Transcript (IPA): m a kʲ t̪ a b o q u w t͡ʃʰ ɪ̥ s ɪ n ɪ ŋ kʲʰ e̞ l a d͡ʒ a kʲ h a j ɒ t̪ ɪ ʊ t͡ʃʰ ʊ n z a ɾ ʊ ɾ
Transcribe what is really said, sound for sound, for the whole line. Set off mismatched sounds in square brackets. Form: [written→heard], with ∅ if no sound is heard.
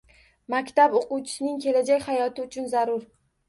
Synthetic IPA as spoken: m a kʲ t̪ a b o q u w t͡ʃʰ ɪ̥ s ɪ n ɪ ŋ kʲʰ e̞ l a d͡ʒ a kʲ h a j ɒ t̪ ɪ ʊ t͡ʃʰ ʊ n z a ɾ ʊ ɾ